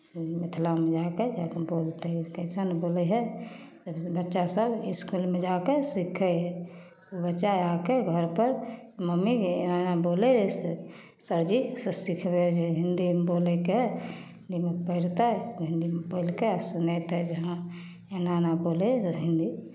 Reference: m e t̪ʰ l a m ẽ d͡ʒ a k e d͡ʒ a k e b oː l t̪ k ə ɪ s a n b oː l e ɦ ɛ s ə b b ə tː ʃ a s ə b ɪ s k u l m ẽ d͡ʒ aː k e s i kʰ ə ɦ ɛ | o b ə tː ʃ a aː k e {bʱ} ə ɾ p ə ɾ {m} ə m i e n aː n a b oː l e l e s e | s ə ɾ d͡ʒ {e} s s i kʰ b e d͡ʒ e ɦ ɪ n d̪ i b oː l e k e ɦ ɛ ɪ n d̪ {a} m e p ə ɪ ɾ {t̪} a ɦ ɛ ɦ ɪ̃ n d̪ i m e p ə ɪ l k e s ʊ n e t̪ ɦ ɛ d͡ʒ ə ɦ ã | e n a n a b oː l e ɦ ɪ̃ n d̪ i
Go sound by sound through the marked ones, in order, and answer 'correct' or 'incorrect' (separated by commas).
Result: incorrect, correct, incorrect, incorrect, correct